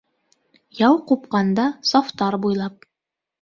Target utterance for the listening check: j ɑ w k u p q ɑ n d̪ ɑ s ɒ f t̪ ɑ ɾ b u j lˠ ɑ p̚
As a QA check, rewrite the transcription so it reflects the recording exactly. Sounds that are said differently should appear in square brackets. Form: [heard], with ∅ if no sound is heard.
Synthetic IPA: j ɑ w [q] u p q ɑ n d̪ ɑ s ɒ f t̪ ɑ ɾ b u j lˠ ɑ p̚